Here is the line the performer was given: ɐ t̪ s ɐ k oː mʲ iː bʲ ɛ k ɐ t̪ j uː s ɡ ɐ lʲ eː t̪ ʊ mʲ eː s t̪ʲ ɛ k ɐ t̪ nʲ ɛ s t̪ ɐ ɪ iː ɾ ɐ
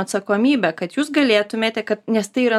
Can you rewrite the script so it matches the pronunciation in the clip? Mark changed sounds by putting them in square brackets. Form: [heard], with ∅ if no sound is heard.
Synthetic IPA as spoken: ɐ t̪ s ɐ k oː mʲ iː bʲ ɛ k ɐ t̪ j uː s ɡ ɐ lʲ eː t̪ ʊ mʲ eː [∅] t̪ʲ ɛ k ɐ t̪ nʲ ɛ s t̪ ɐ ɪ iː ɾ ɐ